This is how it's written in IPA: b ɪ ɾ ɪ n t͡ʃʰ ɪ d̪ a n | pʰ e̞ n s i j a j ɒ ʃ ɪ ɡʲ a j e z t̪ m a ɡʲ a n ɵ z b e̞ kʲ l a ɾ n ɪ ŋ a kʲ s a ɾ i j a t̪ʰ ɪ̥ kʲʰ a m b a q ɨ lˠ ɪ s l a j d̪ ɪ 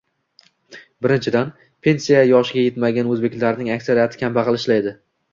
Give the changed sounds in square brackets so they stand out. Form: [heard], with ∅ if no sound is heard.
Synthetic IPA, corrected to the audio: b ɪ ɾ ɪ n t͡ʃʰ ɪ d̪ a n | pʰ e̞ n s i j a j ɒ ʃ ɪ ɡʲ a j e [∅] t̪ m a ɡʲ a n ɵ z b e̞ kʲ l a ɾ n ɪ ŋ a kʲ s a ɾ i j a t̪ʰ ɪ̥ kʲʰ a m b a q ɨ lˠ ɪ [ʃ] l a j d̪ ɪ